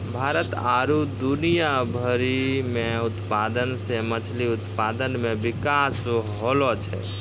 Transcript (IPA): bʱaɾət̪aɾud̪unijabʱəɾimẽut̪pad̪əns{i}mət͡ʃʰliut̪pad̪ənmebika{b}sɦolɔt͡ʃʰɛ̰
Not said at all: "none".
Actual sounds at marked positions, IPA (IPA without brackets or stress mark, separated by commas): e, none